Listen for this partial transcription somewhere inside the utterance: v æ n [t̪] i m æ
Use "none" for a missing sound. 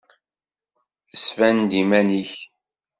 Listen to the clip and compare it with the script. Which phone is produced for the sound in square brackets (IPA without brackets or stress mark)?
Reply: d̪